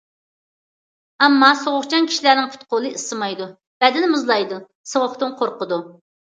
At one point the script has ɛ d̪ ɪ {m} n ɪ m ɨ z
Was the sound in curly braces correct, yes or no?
no